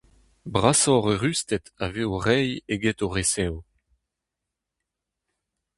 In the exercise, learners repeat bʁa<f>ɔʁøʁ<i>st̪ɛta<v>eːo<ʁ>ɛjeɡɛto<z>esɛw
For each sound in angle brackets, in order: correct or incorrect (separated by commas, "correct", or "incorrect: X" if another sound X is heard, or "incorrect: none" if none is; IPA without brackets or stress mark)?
incorrect: s, incorrect: y, correct, correct, incorrect: ʁ